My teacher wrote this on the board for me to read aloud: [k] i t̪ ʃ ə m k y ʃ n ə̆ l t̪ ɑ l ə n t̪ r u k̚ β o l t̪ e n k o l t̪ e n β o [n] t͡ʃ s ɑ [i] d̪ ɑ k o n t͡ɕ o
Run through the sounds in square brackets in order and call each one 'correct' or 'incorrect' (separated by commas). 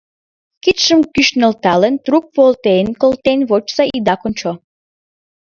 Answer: correct, incorrect, correct